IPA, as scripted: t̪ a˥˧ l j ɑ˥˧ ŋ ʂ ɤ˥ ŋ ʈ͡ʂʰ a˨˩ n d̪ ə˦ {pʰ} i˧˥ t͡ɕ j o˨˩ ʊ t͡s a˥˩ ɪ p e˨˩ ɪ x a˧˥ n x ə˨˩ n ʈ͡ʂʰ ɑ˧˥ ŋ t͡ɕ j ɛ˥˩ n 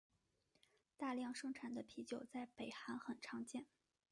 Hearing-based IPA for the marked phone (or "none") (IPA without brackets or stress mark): pʰ